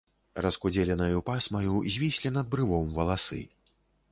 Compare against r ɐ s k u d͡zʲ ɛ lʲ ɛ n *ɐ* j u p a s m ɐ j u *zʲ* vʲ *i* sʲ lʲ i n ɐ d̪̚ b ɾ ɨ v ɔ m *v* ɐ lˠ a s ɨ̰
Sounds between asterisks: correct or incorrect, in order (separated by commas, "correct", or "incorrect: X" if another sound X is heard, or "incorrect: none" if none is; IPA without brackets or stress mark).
correct, correct, correct, correct